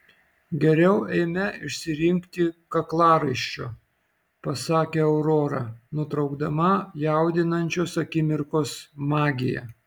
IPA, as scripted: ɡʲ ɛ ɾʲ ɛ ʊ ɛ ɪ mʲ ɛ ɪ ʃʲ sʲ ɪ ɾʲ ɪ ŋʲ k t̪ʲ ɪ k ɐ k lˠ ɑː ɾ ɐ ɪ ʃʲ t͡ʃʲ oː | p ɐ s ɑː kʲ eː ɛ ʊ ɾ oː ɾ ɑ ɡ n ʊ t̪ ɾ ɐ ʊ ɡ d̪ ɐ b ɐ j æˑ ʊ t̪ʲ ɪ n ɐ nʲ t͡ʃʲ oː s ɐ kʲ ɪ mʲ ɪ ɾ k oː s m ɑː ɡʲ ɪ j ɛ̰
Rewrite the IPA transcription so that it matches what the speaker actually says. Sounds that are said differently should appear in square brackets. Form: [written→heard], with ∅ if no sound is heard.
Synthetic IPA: ɡʲ ɛ ɾʲ ɛ ʊ ɛ ɪ mʲ ɛ ɪ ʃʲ sʲ ɪ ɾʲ ɪ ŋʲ k t̪ʲ ɪ k ɐ k lˠ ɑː ɾ ɐ ɪ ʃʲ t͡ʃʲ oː | p ɐ s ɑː kʲ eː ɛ ʊ ɾ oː ɾ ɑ [ɡ→∅] n ʊ t̪ ɾ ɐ ʊ ɡ d̪ ɐ [b→m] ɐ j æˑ ʊ [t̪ʲ→d̪ʲ] ɪ n ɐ nʲ t͡ʃʲ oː s ɐ kʲ ɪ mʲ ɪ ɾ k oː s m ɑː ɡʲ ɪ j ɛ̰